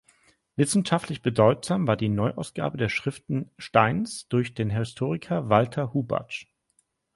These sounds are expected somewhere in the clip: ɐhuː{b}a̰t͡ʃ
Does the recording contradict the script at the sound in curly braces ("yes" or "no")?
no